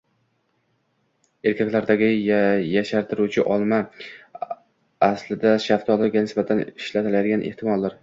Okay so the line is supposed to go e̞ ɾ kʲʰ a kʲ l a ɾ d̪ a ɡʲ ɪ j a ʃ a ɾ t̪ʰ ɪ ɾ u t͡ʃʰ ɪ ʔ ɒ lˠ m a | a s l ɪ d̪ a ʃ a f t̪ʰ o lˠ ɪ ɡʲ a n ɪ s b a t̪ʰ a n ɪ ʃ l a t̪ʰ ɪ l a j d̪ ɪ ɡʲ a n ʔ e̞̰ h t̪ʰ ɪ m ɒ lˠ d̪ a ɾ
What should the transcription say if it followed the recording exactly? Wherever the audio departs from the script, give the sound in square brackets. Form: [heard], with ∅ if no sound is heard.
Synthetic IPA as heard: e̞ ɾ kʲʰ a kʲ l a ɾ d̪ a ɡʲ ɪ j a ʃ a ɾ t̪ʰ ɪ ɾ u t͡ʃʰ ɪ ʔ ɒ lˠ m a | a s l ɪ d̪ a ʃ a f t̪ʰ [ɒ] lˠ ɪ ɡʲ a n ɪ s b a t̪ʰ a n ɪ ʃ l a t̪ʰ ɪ l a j d̪ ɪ ɡʲ a n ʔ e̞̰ h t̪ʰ ɪ m ɒ lˠ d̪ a ɾ